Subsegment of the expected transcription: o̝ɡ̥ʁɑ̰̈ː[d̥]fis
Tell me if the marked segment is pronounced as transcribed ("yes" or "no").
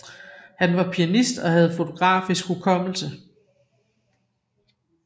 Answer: no